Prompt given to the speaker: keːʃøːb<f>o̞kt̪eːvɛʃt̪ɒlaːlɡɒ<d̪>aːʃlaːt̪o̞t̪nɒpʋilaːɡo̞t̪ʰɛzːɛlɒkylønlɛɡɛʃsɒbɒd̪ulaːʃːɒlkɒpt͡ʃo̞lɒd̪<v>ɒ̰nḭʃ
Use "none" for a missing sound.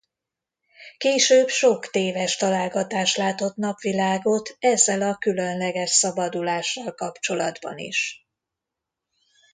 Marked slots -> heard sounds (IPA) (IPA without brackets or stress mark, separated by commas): ʃ, t̪, b